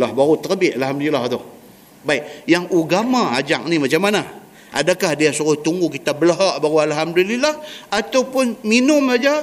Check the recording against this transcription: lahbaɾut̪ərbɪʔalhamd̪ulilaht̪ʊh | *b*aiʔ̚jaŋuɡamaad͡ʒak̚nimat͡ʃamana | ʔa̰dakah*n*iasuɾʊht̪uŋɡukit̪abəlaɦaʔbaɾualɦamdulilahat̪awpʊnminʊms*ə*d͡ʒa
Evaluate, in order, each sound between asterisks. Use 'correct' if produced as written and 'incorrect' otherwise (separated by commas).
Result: correct, incorrect, incorrect